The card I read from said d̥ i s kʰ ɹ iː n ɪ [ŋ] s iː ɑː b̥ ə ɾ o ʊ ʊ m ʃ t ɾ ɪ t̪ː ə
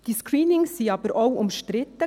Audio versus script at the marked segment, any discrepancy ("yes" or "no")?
no